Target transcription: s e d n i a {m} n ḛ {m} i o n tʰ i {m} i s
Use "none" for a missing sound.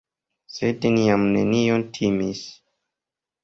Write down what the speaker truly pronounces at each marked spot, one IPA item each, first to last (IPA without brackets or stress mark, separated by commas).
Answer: m, n, m